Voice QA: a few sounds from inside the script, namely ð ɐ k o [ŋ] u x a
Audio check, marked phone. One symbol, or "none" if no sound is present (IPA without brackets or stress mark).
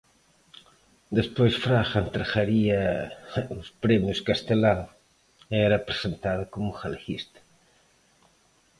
m